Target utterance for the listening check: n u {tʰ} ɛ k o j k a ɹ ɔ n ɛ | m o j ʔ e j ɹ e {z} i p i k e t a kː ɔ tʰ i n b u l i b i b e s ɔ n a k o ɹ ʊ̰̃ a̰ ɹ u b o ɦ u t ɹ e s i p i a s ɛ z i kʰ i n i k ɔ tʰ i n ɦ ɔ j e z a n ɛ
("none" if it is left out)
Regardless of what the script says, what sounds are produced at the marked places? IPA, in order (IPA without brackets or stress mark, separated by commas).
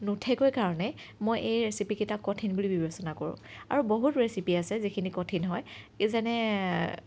tʰ, s